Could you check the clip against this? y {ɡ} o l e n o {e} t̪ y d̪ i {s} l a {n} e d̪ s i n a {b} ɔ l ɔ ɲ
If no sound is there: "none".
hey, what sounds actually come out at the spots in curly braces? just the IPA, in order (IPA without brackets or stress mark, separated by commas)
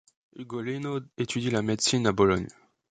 ɡ, e, none, m, b